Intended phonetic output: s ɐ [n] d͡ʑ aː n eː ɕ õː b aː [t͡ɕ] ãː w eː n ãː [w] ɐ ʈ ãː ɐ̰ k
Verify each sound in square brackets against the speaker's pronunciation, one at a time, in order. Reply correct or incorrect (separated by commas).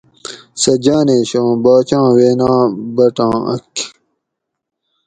incorrect, correct, incorrect